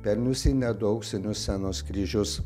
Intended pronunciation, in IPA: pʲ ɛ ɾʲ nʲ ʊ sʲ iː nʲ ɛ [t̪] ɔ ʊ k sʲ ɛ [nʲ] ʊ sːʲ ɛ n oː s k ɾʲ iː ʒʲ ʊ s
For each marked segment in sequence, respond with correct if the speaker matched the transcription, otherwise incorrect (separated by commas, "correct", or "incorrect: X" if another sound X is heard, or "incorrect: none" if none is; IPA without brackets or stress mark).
incorrect: d̪, correct